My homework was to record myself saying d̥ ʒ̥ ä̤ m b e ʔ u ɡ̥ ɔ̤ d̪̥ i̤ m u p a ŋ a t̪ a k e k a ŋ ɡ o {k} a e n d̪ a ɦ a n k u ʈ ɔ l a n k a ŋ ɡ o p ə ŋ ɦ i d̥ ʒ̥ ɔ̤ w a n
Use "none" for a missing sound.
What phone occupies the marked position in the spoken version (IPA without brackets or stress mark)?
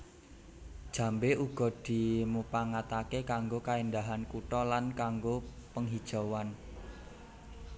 k